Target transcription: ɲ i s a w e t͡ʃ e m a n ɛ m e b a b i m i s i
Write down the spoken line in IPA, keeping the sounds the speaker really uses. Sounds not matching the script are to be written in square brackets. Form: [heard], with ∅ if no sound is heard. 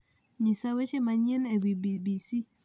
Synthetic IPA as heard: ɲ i s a w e t͡ʃ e m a [ɲ] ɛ [n] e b [i] b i [b] i s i